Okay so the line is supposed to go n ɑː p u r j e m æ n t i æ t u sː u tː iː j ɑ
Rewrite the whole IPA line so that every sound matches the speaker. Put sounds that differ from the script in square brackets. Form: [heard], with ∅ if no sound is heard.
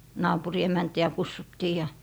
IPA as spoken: n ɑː p u r [i] e m æ n t i æ [k] u sː u tː iː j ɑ